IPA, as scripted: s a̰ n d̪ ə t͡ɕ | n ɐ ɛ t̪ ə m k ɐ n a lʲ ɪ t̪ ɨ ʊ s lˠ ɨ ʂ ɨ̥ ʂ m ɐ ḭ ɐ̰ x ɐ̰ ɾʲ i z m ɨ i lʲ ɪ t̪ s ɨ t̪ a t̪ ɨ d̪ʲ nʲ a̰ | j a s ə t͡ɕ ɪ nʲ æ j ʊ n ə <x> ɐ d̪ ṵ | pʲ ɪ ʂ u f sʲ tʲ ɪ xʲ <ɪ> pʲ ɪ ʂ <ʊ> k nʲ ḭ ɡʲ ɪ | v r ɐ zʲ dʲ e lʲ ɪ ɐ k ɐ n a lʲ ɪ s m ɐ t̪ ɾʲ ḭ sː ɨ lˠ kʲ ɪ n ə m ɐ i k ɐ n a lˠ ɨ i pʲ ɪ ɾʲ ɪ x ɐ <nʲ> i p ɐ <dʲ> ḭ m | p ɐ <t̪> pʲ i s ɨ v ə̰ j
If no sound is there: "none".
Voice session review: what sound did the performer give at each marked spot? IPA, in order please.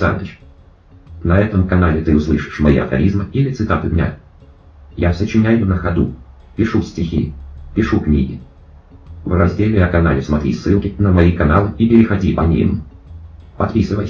x, i, u, dʲ, nʲ, t̪

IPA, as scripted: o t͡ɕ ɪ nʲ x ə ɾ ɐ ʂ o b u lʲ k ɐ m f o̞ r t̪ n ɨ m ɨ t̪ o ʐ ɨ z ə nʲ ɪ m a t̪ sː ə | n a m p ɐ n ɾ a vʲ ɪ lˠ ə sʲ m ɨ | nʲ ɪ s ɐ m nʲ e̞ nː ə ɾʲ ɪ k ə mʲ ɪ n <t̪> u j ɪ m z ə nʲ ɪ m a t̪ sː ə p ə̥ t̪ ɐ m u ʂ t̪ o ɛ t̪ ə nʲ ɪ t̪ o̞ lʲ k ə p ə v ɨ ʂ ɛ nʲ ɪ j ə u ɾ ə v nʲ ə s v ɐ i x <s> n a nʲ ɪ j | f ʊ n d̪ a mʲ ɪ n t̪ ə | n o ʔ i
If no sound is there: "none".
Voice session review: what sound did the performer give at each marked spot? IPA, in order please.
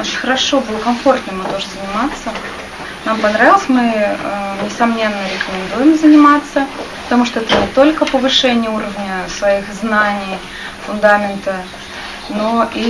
d̪, z

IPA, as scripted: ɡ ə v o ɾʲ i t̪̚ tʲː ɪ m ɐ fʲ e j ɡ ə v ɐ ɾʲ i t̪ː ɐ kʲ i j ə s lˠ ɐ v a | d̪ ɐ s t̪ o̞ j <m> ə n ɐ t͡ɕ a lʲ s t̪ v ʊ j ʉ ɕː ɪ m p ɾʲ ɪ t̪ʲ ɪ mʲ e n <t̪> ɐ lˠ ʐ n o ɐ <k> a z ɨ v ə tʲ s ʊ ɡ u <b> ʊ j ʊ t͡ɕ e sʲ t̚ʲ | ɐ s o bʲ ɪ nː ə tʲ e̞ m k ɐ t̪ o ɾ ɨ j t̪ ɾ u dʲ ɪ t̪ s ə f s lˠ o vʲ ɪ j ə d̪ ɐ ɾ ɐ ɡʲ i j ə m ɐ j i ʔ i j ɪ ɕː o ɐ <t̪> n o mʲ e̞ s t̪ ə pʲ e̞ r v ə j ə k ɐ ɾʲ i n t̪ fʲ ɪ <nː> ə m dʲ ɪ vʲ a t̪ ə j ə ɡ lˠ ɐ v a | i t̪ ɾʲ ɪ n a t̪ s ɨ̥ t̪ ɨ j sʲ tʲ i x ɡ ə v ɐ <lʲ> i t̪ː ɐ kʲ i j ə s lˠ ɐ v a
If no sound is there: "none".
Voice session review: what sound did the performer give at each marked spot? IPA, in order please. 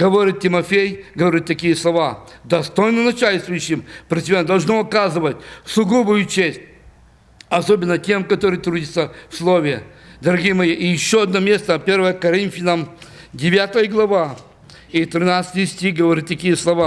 n, d̪, k, b, d̪, n, ɾʲ

